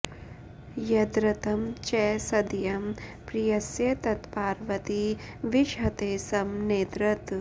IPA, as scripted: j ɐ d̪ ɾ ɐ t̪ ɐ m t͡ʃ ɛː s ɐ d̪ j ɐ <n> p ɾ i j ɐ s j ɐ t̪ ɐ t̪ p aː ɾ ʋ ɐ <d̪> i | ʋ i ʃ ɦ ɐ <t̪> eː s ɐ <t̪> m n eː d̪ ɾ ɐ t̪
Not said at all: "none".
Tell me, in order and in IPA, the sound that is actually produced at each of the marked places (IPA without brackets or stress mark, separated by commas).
m, t̪, t̪, none